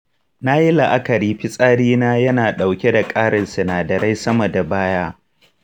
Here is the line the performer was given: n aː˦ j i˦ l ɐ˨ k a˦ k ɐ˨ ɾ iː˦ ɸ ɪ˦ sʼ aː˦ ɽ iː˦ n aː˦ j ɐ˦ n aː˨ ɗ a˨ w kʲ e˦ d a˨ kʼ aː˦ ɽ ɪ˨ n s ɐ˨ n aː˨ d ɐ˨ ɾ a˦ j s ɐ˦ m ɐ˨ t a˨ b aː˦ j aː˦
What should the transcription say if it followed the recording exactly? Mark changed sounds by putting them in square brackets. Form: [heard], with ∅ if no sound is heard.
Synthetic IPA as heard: n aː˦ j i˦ l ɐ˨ [ʔ] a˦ k ɐ˨ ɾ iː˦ ɸ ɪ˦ sʼ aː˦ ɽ iː˦ n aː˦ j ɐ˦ n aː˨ ɗ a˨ w kʲ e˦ d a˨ kʼ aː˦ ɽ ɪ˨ n s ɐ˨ n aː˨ d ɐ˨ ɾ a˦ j s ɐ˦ m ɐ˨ [d] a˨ b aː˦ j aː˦